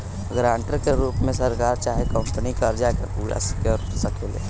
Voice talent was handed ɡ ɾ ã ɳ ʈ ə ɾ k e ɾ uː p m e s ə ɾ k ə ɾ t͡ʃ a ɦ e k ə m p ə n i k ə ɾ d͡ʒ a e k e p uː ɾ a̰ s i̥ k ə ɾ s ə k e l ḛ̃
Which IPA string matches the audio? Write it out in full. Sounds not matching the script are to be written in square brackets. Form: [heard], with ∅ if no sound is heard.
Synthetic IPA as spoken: ɡ ɾ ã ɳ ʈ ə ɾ k e ɾ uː p m e s ə ɾ k [a] ɾ t͡ʃ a ɦ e k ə m p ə n i k ə ɾ d͡ʒ a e k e p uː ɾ a̰ s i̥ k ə ɾ s ə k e l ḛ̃